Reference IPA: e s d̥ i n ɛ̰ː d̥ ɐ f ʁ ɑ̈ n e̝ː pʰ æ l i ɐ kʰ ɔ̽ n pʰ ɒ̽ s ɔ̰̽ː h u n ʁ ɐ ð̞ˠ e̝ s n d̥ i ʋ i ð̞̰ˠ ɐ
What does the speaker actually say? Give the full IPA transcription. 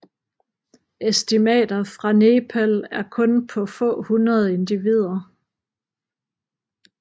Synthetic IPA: e s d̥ i m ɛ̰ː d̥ ɐ f ʁ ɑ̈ n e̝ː pʰ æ l æ ɐ kʰ ɔ̽ n pʰ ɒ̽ f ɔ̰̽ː h u n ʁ ɐ ð̞ˠ e̝ n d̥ i ʋ i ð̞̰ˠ ɐ